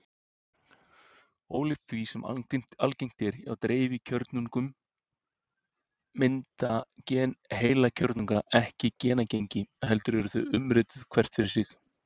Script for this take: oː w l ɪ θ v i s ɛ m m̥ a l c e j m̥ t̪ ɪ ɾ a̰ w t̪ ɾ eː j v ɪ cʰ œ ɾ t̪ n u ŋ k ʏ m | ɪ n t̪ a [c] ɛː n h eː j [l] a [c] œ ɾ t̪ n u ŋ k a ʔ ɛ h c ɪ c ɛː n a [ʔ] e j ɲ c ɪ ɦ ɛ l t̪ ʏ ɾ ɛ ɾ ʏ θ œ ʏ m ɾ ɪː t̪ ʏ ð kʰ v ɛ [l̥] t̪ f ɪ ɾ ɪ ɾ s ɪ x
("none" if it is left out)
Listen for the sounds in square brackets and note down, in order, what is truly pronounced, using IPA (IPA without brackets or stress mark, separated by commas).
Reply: c, l, cʰ, c, r̥